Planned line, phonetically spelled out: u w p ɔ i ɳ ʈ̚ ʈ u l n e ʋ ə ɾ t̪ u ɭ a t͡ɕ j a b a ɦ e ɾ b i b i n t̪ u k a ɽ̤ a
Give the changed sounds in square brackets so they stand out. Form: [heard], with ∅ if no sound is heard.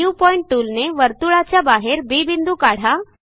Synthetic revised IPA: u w p ɔ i ɳ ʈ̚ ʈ u l n e ʋ ə ɾ t̪ u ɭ a t͡ɕ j a b a ɦ e ɾ b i b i n [d̪] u k a ɽ̤ a